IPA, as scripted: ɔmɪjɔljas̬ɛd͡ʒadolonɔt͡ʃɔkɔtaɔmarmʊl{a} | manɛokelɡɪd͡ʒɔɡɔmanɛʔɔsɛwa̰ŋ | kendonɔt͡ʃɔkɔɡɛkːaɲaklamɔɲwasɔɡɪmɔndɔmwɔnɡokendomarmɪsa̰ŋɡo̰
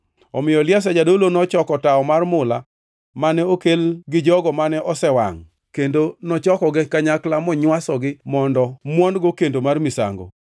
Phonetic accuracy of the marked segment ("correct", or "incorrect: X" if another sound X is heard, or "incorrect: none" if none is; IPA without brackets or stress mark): correct